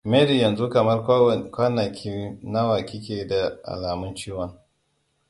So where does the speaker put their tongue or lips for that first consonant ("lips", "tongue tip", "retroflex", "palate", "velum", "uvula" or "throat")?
lips